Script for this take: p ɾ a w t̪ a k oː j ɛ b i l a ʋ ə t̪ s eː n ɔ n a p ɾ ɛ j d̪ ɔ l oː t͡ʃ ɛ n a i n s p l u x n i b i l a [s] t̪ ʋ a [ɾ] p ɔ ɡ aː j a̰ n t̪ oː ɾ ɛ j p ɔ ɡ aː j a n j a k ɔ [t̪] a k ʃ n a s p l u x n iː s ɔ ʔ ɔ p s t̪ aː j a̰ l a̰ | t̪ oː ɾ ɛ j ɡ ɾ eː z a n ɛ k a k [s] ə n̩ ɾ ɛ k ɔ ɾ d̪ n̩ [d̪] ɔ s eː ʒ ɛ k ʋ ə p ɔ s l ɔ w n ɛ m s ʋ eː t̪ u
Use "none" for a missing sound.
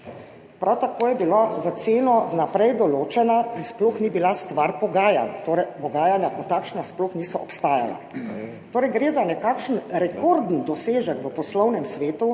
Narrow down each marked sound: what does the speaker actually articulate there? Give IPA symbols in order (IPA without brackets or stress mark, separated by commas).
s, ɾ, t̪, ʃ, d̪